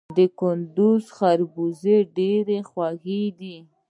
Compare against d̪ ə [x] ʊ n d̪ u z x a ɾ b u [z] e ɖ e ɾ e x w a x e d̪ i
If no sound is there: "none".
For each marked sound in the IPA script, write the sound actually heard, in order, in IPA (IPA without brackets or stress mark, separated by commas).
k, z